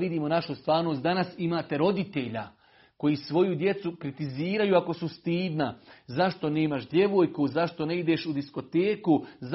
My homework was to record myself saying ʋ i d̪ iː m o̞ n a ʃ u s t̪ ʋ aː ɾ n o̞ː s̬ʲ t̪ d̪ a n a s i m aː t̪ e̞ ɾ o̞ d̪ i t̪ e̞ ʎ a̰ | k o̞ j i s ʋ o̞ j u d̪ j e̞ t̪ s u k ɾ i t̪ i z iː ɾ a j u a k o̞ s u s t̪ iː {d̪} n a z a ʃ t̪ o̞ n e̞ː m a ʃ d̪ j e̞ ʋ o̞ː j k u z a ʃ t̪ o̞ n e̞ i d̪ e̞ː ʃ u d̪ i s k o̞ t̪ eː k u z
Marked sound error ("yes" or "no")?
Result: no